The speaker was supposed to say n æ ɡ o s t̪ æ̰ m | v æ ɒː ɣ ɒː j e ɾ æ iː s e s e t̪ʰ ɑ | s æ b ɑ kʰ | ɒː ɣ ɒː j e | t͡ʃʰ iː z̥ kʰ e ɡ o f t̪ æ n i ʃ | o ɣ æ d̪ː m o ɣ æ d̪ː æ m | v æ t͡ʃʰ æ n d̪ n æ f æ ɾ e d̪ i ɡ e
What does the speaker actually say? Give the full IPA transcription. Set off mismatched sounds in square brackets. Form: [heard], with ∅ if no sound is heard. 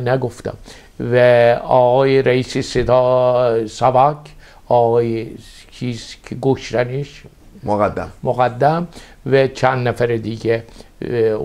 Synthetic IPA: n æ ɡ o [f] t̪ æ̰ m | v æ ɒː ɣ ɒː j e ɾ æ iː s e s e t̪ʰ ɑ | s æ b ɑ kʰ | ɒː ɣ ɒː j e | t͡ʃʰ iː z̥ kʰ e ɡ o [ʃ] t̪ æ n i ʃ | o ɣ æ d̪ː m o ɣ æ d̪ː æ m | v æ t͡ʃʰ æ n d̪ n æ f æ ɾ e d̪ i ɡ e